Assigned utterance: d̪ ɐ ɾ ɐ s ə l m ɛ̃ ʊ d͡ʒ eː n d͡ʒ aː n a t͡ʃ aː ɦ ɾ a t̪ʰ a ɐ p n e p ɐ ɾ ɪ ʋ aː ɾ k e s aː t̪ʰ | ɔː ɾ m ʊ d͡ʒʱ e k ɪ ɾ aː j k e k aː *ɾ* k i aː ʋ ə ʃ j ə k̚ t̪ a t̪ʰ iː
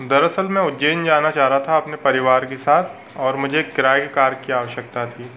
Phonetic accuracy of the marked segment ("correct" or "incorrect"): correct